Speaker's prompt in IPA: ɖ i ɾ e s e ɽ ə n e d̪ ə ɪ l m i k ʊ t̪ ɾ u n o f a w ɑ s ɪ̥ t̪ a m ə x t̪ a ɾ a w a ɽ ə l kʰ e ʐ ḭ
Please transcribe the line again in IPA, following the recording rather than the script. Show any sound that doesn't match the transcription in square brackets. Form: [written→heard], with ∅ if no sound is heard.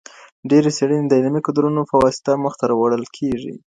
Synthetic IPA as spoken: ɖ [i→e] ɾ e s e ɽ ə n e d̪ ə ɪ l m i k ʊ [t̪→d̪] ɾ u n o f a w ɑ s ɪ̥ t̪ a m ə x t̪ a ɾ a w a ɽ ə l kʰ e ʐ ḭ